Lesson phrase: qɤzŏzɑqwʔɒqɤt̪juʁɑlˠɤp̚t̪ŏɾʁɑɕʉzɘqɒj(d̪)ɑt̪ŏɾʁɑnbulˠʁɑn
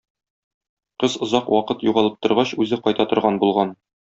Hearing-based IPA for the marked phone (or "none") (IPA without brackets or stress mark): t̪